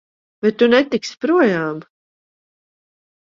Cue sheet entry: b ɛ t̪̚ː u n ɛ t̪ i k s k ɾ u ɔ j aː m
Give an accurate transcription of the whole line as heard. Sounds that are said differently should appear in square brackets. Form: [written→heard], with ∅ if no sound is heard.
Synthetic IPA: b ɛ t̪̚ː u n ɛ t̪ i k s [k→p] ɾ u ɔ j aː m